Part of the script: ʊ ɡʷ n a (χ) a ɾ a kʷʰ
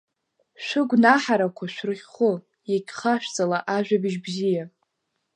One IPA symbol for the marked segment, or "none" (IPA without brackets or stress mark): ħ